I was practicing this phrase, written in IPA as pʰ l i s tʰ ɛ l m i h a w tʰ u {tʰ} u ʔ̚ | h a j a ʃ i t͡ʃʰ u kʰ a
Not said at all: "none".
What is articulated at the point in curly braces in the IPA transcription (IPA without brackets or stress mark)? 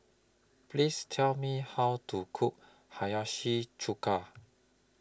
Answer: kʰ